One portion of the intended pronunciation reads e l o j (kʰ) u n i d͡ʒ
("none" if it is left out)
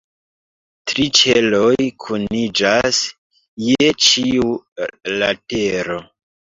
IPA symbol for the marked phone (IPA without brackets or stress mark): kʰ